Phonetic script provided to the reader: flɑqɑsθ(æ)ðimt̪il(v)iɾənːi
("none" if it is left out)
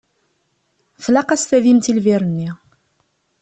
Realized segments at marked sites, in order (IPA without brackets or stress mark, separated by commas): æ, v